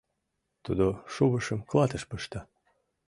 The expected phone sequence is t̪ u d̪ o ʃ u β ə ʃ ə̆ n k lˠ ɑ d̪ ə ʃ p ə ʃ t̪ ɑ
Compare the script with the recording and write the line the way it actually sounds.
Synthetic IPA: t̪ u d̪ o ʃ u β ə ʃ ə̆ m k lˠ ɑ t̪ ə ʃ p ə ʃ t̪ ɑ